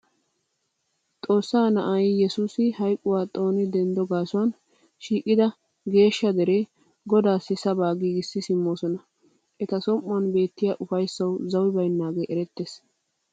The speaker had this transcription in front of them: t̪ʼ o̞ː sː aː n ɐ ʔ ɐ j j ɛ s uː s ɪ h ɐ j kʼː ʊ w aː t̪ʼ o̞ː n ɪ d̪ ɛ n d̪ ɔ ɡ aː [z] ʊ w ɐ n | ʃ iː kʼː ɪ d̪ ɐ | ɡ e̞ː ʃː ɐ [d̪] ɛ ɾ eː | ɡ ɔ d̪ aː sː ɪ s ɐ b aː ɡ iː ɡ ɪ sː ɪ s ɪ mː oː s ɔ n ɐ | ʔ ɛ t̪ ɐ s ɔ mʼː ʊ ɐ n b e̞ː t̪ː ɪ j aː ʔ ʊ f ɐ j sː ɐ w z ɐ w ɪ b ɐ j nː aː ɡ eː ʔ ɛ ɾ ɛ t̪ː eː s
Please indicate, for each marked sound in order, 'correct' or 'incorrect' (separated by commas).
incorrect, correct